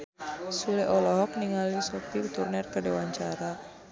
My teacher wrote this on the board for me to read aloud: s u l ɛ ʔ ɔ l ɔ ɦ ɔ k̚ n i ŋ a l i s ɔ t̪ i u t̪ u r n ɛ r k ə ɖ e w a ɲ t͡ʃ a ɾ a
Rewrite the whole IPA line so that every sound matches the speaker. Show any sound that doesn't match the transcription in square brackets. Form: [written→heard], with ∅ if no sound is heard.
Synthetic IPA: s u l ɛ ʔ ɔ l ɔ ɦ ɔ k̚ n i ŋ a l i s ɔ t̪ i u t̪ u r n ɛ r k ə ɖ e w a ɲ t͡ʃ a ɾ a